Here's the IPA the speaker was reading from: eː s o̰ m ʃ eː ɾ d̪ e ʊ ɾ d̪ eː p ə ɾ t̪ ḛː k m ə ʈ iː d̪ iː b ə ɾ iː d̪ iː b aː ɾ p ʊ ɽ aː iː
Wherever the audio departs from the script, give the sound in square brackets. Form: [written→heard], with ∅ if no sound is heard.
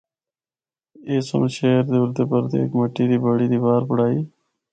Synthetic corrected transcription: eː s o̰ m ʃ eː ɾ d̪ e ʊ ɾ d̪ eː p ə ɾ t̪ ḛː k m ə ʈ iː d̪ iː b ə [ɾ→ɽ] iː d̪ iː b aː ɾ p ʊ ɽ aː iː